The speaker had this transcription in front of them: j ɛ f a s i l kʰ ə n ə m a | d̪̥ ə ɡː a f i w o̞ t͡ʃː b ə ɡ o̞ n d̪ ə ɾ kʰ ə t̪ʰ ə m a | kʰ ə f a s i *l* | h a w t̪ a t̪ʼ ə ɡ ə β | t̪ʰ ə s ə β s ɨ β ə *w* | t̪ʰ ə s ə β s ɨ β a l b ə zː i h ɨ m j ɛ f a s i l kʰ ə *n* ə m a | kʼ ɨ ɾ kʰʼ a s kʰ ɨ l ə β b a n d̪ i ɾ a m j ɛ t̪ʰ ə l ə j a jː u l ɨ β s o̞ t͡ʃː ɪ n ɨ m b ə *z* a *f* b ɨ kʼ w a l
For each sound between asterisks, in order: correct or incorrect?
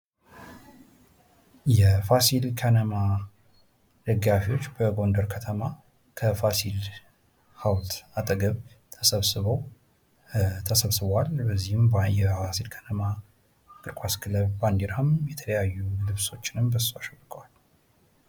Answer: correct, correct, correct, incorrect: s, incorrect: ʃ

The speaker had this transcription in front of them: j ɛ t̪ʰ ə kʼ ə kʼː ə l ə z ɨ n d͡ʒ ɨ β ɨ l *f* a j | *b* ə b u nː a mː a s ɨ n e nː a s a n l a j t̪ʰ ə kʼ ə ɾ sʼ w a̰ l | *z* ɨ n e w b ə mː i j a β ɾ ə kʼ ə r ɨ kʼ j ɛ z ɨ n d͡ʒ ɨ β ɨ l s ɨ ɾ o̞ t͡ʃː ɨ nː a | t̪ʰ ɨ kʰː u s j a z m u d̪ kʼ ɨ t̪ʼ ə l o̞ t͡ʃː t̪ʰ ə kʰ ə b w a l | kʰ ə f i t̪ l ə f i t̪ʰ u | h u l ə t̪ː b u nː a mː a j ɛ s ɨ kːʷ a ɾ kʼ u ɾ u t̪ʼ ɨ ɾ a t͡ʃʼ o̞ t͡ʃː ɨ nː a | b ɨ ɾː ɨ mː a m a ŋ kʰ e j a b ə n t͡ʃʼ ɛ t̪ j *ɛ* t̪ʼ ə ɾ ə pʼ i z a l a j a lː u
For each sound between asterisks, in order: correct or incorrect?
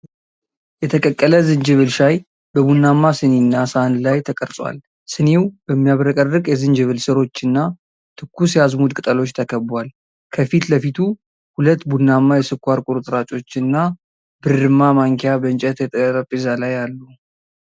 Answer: incorrect: ʃ, correct, incorrect: s, correct

